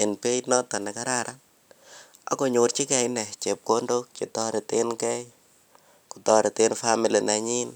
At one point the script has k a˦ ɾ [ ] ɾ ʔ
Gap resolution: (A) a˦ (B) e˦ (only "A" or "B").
A